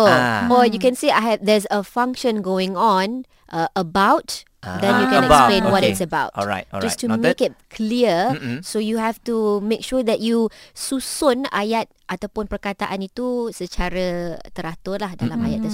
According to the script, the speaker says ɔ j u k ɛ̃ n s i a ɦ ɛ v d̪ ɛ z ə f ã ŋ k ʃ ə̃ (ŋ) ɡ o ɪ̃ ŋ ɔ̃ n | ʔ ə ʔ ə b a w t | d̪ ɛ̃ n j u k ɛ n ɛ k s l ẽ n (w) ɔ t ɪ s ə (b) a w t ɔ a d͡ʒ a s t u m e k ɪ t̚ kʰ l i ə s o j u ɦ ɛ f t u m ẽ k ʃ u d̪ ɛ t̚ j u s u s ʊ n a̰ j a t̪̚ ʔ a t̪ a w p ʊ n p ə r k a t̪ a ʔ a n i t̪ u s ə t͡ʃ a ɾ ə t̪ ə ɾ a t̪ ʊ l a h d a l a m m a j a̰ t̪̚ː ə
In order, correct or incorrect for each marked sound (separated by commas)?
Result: incorrect, correct, correct